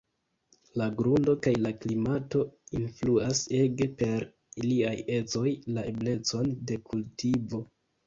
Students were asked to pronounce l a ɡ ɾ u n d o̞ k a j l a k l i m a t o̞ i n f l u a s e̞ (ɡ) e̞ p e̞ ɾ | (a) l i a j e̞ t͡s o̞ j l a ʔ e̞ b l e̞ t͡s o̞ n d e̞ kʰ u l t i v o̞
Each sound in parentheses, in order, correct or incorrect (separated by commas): correct, incorrect